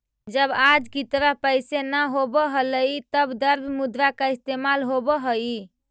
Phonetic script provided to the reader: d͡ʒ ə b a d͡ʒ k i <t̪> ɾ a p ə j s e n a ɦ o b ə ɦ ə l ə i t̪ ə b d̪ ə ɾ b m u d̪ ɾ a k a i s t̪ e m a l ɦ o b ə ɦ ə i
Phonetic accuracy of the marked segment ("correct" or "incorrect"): correct